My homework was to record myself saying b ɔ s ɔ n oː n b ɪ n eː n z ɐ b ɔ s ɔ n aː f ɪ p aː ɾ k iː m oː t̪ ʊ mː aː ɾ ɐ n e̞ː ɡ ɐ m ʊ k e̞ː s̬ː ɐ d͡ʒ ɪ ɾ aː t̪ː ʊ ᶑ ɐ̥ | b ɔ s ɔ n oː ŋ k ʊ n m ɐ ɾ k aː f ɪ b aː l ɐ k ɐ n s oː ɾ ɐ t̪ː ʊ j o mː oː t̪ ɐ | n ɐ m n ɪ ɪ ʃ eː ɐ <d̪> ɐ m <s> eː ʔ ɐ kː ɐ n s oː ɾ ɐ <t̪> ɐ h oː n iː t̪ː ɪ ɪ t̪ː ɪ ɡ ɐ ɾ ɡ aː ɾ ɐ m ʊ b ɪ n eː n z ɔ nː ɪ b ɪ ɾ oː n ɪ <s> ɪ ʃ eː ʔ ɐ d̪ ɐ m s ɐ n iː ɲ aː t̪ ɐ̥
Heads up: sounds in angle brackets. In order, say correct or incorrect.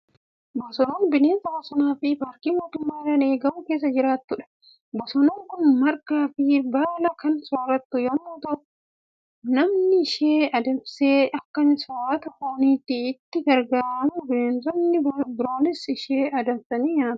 correct, correct, correct, correct

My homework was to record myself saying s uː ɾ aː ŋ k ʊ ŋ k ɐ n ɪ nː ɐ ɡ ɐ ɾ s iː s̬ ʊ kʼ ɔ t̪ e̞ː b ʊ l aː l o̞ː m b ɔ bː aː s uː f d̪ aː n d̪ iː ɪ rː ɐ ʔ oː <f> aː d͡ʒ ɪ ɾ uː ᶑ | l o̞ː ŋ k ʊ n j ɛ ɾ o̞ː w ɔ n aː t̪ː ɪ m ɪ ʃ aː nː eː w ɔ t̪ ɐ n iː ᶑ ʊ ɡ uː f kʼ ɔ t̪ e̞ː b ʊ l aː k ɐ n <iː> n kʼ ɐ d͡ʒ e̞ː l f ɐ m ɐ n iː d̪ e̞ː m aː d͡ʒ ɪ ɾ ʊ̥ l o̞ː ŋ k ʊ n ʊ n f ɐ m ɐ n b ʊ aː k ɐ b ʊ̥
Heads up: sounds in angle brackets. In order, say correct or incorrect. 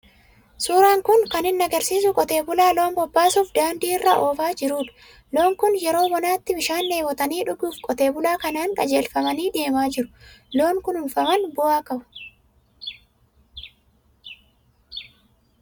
correct, incorrect: aː

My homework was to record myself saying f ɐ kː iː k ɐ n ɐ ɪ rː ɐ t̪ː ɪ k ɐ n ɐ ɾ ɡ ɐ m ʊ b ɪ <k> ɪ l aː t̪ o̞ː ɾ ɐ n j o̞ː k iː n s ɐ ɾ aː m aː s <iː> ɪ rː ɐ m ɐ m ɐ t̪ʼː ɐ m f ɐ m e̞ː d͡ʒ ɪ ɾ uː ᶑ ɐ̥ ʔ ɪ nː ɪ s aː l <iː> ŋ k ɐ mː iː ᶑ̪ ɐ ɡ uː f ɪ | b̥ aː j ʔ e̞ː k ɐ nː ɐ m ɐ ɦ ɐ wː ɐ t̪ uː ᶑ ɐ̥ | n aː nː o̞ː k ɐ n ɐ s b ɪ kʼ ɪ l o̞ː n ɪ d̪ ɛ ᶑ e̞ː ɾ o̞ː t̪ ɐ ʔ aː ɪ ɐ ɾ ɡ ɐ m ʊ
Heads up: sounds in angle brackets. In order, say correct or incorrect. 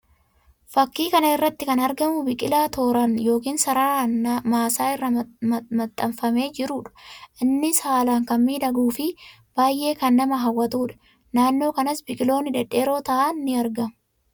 incorrect: kʼ, incorrect: aː, incorrect: aː

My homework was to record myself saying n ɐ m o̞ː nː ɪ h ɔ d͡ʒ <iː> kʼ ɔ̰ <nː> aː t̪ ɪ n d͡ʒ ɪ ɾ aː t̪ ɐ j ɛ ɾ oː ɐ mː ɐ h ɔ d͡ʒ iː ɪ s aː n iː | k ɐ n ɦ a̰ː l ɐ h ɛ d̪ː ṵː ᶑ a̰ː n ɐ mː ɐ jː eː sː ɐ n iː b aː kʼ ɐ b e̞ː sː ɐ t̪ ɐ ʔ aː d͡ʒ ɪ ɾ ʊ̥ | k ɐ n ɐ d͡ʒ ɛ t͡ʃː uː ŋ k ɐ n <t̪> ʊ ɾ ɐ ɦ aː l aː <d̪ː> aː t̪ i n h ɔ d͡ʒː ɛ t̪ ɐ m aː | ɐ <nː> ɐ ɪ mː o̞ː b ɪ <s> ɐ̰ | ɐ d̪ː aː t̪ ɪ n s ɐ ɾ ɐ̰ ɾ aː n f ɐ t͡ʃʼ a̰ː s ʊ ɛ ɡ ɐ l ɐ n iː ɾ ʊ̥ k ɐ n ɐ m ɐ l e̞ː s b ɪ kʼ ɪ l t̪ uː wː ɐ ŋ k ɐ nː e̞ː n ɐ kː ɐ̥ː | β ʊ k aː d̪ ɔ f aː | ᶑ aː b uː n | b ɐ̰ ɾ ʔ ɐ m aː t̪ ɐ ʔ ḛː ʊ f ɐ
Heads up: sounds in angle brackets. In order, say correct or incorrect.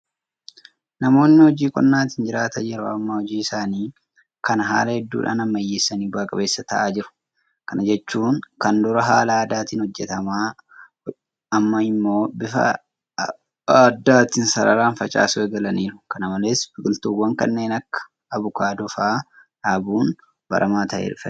correct, correct, incorrect: d̪, incorrect: d̪, incorrect: mː, incorrect: f

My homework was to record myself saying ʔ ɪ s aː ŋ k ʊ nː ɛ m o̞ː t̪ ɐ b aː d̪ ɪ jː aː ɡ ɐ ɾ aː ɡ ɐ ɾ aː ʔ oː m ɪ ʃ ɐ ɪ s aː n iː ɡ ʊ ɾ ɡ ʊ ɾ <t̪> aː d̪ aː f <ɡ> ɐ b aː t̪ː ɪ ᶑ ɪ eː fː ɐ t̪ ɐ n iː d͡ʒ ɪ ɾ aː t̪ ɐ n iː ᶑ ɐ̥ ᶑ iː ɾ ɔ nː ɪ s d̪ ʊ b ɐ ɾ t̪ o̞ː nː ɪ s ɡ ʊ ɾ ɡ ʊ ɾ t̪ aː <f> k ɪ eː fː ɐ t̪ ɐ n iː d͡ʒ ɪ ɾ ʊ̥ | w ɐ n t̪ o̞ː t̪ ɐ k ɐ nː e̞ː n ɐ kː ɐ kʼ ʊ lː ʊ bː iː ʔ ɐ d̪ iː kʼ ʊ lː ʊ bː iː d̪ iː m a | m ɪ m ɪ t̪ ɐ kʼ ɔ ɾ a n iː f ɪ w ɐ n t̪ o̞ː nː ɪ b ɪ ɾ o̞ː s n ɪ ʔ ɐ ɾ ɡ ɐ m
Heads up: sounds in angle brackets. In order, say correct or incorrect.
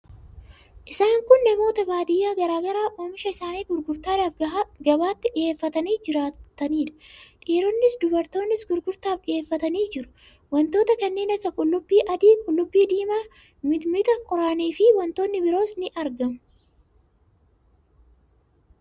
correct, correct, correct

